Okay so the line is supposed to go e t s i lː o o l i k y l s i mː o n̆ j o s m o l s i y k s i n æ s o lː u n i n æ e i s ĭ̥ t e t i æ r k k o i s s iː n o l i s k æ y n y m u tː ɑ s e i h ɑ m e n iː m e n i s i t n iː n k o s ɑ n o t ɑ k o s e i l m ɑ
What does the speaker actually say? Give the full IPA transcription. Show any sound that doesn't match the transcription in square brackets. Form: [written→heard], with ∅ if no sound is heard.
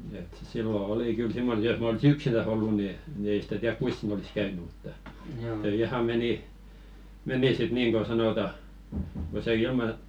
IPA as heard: e t s i lː o o l i k y l s i mː o n̆ j o s m o l s i y k s i n æ s o lː u n i n [æ→i] e i s ĭ̥ t [e→æ] t i æ r k k [o→u] i s s iː n o l i s k æ y n y m u tː ɑ s e i h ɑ m e n [iː→i] m e n i s i t n iː [n→ŋ] k o s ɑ n o t ɑ k o s e i l m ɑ